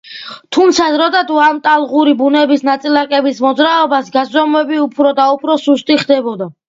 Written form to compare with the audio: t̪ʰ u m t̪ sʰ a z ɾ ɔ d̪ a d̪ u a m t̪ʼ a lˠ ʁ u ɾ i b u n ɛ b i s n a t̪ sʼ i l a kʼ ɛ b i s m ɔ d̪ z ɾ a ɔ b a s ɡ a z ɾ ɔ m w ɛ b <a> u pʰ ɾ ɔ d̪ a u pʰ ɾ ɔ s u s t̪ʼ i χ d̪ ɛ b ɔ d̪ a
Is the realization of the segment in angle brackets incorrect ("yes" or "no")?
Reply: yes